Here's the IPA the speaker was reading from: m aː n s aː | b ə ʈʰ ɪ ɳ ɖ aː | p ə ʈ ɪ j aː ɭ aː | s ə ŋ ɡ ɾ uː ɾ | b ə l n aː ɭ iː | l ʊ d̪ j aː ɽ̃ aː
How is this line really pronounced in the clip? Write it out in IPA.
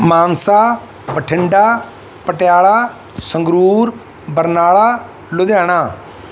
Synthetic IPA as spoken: m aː n s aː | b ə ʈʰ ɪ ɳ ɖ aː | p ə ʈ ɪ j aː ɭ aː | s ə ŋ ɡ ɾ uː ɾ | b ə ɾ n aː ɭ aː | l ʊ d̪ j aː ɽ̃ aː